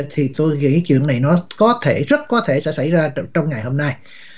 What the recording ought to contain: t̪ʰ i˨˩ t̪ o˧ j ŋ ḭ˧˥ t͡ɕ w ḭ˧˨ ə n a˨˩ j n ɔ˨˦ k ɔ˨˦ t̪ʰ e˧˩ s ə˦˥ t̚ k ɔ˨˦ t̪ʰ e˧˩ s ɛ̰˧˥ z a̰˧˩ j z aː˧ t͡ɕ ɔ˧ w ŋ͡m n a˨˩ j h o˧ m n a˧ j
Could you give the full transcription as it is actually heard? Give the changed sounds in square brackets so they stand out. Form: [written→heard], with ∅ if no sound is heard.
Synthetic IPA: t̪ʰ i˨˩ t̪ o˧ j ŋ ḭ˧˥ t͡ɕ w ḭ˧˨ ə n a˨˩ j n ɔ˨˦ k ɔ˨˦ t̪ʰ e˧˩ [s→z] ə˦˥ t̚ k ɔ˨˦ t̪ʰ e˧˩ s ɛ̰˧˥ [z→s] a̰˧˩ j z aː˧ t͡ɕ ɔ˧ w ŋ͡m [n→ŋ] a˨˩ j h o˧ m n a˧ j